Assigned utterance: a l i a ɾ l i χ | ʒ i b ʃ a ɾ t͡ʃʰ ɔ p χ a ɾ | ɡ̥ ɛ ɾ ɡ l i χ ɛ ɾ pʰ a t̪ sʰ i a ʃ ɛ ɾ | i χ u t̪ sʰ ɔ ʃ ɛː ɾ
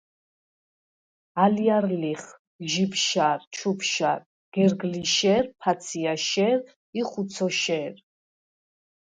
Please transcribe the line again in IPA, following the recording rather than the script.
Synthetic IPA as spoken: a l i a ɾ l i χ | ʒ i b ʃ a ɾ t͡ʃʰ u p ʃ a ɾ | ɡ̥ ɛ ɾ ɡ l i ʃ ɛ ɾ pʰ a t̪ sʰ i a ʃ ɛ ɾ | i χ u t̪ sʰ ɔ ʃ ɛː ɾ